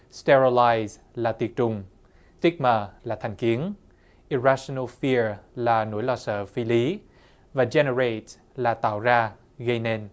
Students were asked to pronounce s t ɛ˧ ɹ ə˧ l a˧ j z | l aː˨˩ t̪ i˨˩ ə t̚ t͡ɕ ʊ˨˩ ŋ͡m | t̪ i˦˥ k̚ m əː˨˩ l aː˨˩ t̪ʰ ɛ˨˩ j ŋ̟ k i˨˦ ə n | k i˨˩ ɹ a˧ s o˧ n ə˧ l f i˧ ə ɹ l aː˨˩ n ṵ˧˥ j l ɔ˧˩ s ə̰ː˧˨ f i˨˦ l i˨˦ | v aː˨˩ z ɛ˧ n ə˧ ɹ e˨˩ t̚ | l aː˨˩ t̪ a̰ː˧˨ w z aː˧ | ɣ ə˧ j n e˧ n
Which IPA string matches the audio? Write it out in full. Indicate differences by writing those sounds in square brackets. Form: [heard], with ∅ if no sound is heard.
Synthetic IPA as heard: s t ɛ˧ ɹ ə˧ l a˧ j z | l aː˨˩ t̪ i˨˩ ə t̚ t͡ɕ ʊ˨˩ ŋ͡m | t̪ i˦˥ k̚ m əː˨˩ l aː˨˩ t̪ʰ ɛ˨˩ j ŋ̟ k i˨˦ ə n | [ʔ] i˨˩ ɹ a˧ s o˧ n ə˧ l f i˧ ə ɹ l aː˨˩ n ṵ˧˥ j l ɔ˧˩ s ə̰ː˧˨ f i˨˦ l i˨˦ | v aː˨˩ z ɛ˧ n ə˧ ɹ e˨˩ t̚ | l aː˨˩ t̪ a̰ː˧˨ w z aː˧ | ɣ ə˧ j n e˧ n